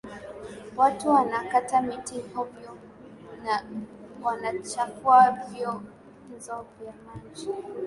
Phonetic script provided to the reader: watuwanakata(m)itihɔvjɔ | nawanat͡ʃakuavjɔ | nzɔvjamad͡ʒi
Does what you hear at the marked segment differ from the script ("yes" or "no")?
no